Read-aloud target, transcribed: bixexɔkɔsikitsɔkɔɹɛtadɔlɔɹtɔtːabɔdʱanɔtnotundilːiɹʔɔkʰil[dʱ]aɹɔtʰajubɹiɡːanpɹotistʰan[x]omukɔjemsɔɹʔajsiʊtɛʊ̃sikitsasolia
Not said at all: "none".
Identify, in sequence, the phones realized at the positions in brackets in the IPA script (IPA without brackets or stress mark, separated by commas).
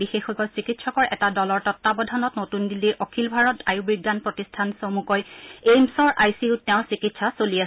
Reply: bʱ, s